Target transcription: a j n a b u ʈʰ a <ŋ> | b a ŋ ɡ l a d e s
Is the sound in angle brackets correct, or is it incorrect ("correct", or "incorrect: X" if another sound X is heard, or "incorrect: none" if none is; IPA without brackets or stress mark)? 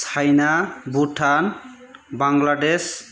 incorrect: n